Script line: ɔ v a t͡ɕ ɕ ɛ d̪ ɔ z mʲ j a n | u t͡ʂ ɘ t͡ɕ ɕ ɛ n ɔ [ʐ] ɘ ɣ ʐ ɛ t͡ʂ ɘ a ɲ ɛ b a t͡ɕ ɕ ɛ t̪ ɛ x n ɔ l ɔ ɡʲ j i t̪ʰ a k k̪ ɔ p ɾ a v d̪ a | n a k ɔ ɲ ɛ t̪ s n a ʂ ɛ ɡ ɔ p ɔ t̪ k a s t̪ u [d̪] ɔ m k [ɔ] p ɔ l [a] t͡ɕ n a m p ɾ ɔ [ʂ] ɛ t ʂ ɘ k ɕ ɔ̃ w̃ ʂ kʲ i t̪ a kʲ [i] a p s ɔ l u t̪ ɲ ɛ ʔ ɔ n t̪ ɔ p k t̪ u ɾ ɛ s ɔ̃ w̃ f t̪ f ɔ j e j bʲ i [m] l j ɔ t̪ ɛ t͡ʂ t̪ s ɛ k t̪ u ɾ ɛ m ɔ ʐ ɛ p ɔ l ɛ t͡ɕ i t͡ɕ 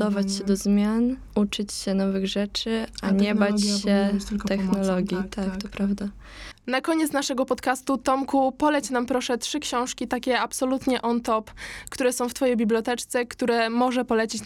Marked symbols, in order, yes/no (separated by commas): no, no, no, no, yes, no, no